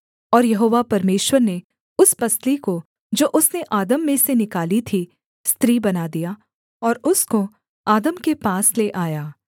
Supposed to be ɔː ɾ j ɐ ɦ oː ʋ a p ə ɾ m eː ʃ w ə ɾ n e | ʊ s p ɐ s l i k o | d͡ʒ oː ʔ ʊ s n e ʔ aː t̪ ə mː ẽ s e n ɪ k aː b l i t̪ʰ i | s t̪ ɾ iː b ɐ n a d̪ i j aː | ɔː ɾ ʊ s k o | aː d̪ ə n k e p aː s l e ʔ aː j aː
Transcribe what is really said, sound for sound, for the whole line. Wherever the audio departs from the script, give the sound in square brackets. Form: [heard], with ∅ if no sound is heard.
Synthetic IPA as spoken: ɔː ɾ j ɐ ɦ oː ʋ a p [ɐ] ɾ m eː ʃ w ə ɾ n e | ʊ s p ɐ s l i k o | d͡ʒ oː ʔ ʊ s n e ʔ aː [d̪] ə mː ẽ s e n ɪ k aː [∅] l i t̪ʰ i | s t̪ ɾ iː b ɐ n a d̪ i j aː | ɔː ɾ ʊ s k o | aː d̪ ə [m] k e p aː s l e ʔ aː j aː